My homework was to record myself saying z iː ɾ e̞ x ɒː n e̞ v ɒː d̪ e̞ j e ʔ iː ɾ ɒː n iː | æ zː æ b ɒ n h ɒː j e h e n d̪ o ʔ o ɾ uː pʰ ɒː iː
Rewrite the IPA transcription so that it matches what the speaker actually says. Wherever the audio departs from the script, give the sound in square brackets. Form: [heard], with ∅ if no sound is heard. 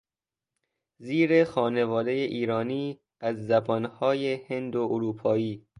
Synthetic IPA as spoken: z iː ɾ e̞ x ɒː n e̞ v ɒː d̪ e̞ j e ʔ iː ɾ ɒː n iː | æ zː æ b ɒ n h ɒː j e h e n d̪ o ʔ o ɾ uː pʰ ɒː iː